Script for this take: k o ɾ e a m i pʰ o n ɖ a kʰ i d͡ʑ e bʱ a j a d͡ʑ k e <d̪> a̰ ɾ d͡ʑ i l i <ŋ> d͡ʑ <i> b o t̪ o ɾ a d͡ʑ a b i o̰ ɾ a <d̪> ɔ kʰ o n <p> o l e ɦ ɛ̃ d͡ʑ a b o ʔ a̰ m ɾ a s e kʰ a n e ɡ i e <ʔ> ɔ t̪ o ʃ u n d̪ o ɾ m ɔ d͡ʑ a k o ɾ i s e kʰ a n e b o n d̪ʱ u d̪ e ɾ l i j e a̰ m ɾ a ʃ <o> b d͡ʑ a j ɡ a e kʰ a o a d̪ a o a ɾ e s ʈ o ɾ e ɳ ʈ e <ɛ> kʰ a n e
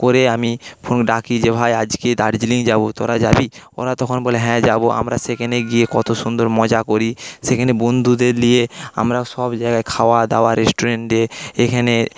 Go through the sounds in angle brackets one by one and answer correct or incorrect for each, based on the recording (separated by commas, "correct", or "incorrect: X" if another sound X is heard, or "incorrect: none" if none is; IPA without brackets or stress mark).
correct, correct, incorrect: a, incorrect: t̪, incorrect: b, incorrect: k, incorrect: ɔ, incorrect: e